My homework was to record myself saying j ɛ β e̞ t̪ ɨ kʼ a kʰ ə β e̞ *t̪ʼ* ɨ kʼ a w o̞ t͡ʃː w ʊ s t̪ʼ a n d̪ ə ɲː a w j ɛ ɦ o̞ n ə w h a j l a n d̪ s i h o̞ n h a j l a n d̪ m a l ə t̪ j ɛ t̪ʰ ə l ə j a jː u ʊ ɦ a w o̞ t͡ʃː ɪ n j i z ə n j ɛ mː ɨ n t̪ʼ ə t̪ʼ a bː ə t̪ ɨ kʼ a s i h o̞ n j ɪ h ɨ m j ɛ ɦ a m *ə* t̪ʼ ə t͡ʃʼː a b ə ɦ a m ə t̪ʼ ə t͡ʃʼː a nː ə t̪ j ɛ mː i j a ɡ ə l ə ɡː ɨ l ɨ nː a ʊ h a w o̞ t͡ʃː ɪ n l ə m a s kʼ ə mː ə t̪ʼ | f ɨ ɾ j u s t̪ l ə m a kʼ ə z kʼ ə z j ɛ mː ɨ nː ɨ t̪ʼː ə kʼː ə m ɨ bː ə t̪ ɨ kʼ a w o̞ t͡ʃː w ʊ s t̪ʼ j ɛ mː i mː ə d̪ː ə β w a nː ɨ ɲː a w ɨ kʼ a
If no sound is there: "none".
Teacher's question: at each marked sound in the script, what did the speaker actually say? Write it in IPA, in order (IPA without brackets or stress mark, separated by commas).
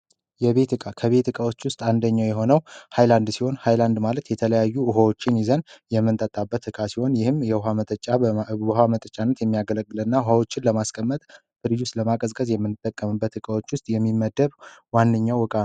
t̪, ə